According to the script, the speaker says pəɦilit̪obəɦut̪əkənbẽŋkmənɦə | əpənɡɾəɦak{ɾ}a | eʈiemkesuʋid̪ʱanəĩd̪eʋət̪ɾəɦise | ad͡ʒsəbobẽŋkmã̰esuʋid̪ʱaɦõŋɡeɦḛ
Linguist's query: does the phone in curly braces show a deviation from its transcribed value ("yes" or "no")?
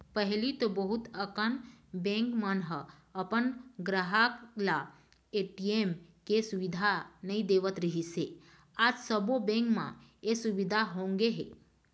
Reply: yes